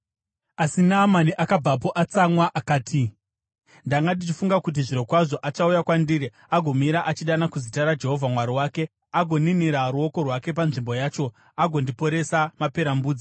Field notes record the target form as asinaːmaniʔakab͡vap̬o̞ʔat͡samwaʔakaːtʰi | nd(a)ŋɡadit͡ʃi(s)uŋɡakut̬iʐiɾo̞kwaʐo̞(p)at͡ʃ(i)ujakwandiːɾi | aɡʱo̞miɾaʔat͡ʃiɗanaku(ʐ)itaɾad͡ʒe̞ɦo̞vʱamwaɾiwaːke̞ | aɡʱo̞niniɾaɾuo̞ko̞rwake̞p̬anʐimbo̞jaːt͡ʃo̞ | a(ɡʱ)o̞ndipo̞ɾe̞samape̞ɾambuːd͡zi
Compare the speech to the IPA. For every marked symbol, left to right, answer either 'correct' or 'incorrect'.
correct, incorrect: f, incorrect: ʔ, incorrect: a, incorrect: z, correct

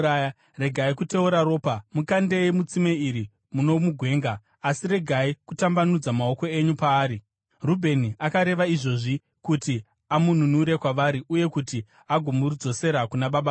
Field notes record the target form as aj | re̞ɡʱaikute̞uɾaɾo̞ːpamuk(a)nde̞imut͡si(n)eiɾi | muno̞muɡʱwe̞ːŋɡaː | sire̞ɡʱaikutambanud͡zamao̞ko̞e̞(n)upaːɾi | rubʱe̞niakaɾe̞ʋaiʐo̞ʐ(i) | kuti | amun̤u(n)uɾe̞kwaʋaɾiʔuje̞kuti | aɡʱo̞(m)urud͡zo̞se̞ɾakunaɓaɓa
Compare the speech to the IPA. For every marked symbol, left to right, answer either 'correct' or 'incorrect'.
correct, incorrect: m, incorrect: ɲ, correct, correct, correct

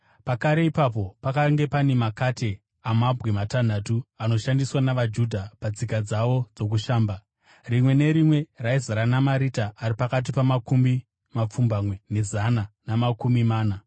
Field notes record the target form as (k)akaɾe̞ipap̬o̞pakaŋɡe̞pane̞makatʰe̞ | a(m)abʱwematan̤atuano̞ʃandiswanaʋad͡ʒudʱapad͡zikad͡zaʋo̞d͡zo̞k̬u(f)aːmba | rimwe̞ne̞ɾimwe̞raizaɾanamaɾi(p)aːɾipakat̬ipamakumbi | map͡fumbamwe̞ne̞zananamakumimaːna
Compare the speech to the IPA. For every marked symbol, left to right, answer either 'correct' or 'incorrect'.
incorrect: p, correct, incorrect: ʃ, incorrect: t

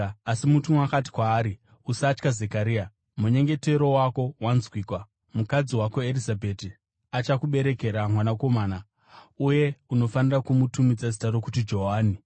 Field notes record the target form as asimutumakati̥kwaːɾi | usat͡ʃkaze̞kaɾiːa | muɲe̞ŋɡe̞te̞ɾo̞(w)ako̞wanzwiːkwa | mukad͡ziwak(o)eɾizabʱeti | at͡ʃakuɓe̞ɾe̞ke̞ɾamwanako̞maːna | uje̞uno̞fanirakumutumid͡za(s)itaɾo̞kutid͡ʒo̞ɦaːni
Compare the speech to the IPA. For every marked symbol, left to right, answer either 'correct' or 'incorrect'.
correct, correct, incorrect: z

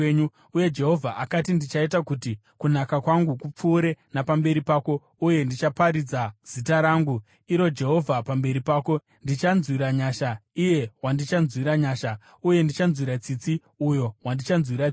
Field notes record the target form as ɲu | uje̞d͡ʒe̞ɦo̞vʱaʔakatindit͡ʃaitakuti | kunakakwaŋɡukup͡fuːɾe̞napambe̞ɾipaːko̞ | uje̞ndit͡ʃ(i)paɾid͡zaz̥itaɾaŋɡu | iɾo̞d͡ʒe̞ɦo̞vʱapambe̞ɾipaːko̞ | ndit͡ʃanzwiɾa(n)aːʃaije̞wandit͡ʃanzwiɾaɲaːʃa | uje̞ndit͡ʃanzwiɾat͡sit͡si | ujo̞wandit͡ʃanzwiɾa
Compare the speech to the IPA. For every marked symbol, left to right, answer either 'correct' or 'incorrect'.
incorrect: a, incorrect: ɲ

